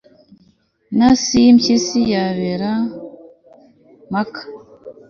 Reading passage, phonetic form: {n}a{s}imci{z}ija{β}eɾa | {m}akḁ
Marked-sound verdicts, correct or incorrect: correct, correct, incorrect: s, correct, correct

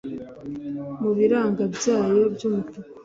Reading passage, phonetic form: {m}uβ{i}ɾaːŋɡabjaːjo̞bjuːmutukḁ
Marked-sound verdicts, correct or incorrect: correct, correct

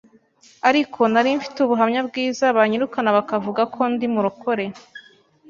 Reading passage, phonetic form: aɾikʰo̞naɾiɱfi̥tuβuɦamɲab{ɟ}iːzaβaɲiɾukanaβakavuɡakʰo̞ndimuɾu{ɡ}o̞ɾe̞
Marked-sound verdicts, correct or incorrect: incorrect: ɡ, incorrect: k

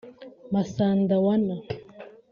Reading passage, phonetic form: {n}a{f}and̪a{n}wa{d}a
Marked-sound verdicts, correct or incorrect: incorrect: m, incorrect: s, incorrect: none, incorrect: n

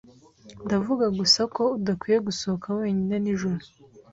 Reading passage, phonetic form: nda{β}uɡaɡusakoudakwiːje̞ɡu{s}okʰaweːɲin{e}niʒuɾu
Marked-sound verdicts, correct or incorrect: incorrect: v, correct, correct

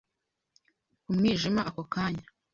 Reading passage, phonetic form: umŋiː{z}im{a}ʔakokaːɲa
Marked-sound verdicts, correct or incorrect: incorrect: ʒ, correct

